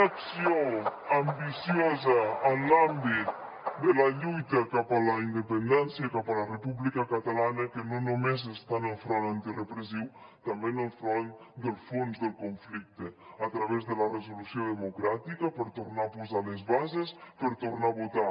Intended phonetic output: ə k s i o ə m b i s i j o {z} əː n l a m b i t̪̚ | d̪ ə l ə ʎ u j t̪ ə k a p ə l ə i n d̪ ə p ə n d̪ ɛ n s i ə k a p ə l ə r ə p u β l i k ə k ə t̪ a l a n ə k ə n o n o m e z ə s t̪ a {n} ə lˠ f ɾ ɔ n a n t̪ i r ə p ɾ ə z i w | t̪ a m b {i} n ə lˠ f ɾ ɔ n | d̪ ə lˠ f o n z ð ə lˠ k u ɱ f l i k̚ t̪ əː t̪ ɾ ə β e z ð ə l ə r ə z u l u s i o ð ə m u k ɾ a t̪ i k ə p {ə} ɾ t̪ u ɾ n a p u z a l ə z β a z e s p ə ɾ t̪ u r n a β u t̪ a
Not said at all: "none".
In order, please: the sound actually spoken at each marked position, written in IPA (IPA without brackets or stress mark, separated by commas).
z, n, e, ə